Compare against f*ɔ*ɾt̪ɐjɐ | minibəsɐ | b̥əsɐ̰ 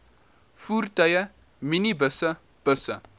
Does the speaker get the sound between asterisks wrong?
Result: yes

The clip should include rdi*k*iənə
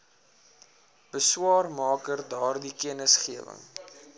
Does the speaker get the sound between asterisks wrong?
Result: no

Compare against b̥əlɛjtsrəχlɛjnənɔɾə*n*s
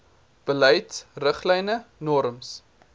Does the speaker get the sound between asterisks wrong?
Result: yes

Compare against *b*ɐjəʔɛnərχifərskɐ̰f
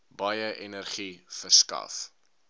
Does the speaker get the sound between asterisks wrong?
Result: no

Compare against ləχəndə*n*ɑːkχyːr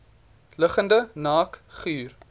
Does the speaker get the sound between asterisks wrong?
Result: no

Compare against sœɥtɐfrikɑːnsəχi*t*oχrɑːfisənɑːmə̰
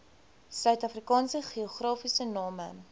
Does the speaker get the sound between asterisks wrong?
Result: yes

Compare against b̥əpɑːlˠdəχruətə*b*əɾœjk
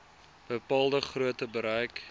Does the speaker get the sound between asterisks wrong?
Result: no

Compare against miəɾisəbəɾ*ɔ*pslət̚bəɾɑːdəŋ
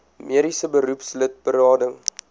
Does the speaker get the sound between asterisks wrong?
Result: yes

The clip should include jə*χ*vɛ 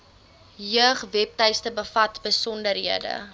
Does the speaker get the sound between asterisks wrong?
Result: no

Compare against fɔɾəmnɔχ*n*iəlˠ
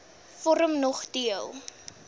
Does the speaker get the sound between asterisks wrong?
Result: yes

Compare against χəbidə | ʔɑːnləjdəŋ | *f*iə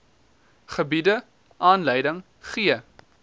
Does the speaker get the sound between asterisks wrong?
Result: yes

